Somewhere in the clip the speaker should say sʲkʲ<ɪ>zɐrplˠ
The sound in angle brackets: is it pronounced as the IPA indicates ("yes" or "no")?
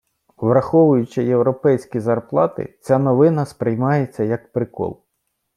no